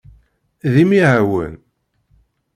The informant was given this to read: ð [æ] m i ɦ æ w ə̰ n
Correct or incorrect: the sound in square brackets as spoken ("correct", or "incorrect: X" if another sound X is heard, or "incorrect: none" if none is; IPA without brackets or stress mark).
incorrect: i